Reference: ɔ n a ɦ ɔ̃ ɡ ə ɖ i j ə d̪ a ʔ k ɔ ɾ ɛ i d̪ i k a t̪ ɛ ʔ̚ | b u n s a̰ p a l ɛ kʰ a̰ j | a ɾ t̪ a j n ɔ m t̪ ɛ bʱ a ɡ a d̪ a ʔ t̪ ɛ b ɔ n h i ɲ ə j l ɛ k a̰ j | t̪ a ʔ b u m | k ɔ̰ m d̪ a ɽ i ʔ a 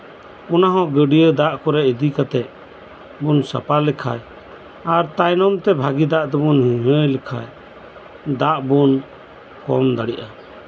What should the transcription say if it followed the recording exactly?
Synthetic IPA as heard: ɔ n a ɦ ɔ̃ ɡ ə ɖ i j ə d̪ a ʔ k ɔ ɾ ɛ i d̪ i k a t̪ ɛ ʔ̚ | b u n s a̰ p a l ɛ kʰ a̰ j | a ɾ t̪ a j n ɔ m t̪ ɛ bʱ a ɡ i d̪ a ʔ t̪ ɛ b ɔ n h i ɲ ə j l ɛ kʰ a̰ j | d̪ a ʔ b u n | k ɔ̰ m d̪ a ɽ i ʔ a